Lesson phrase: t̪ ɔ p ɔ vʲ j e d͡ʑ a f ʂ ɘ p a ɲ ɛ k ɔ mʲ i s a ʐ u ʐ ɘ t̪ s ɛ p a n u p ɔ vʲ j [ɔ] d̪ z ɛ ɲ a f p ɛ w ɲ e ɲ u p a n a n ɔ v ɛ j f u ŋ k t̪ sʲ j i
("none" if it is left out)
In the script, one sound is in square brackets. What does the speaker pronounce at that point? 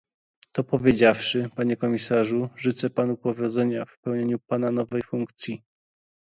ɔ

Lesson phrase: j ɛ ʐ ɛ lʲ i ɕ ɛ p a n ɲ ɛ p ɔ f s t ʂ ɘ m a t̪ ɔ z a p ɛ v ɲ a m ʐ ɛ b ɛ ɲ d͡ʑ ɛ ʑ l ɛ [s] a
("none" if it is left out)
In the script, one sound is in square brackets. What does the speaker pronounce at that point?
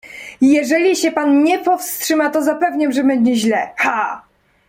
x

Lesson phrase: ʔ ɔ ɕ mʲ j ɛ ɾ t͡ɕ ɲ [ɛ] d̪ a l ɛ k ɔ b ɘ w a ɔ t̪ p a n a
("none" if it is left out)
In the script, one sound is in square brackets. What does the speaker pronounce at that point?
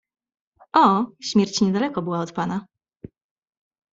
ɛ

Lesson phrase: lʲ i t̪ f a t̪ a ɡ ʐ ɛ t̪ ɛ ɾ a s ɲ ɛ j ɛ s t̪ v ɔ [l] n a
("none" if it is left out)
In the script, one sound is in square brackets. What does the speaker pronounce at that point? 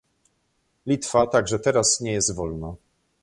l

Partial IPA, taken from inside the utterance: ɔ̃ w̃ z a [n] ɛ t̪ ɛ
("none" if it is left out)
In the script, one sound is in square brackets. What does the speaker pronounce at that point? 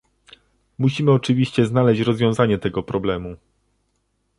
ɲ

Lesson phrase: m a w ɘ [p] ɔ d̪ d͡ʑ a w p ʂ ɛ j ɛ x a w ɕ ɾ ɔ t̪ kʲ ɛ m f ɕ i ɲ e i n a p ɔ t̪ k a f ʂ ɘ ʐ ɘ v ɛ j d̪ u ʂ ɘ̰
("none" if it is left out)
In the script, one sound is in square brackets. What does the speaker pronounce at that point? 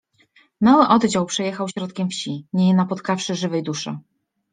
ʔ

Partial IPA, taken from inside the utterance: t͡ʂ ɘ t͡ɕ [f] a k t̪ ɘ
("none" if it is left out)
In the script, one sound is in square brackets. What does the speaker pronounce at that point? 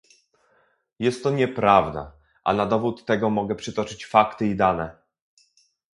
f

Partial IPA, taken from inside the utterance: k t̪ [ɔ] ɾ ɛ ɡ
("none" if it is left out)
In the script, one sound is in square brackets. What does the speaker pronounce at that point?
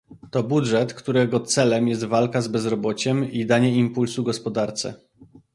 u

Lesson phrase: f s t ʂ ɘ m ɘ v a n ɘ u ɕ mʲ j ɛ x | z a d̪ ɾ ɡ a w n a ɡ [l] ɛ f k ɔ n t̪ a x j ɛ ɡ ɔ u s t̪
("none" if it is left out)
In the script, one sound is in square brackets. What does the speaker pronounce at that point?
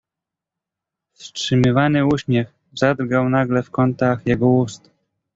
l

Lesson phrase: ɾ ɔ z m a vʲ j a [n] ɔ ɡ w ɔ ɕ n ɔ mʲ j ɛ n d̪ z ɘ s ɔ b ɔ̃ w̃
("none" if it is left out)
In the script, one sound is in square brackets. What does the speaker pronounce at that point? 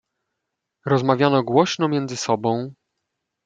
n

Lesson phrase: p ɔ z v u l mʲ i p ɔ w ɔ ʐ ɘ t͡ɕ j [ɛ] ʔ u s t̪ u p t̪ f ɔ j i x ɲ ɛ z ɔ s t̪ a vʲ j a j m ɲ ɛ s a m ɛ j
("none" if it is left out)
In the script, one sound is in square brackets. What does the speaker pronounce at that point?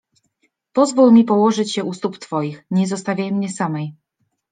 ɛ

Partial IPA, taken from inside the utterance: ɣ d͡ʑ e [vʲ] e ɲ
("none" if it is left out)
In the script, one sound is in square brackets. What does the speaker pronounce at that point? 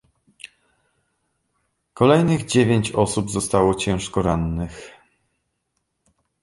vʲ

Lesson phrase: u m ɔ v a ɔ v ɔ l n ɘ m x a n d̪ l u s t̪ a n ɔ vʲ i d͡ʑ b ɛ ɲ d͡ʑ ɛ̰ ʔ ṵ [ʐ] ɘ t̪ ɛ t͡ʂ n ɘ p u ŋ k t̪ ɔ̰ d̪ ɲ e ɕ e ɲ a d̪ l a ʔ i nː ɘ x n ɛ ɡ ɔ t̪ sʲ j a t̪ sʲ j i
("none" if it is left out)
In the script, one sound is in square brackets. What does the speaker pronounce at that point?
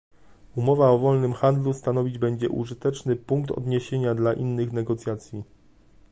ʐ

